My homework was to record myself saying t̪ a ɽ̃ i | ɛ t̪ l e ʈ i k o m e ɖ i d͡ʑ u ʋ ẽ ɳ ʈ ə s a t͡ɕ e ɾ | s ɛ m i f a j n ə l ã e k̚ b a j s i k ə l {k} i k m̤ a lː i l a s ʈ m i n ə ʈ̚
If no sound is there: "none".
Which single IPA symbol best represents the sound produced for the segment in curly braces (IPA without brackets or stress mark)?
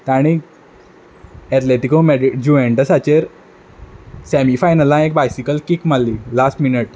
k